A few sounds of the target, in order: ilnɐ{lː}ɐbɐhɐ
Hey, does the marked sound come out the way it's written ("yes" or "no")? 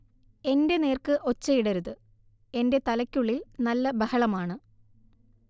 yes